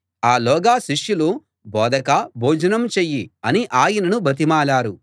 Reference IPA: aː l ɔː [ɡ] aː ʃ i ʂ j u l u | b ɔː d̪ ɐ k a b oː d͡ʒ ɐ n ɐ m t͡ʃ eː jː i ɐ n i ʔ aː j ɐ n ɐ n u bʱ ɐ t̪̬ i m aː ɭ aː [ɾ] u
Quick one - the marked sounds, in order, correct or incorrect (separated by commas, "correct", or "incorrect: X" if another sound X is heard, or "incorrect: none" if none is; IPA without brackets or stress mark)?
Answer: correct, correct